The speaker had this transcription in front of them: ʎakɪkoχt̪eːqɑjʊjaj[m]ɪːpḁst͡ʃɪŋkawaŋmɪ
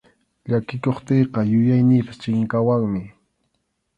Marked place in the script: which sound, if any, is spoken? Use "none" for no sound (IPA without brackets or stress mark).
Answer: n